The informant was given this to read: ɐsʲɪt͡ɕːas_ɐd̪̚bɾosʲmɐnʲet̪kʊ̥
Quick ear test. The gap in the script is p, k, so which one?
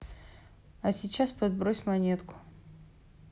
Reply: p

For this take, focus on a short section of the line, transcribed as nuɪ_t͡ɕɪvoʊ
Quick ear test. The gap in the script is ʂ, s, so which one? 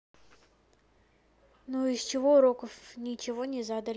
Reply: s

